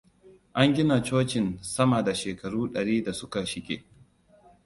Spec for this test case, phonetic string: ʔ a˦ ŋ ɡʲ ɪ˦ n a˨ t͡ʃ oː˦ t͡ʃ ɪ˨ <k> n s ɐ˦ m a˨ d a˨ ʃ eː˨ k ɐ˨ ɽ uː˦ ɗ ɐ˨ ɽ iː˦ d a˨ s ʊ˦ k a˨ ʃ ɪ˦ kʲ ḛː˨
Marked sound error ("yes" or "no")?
yes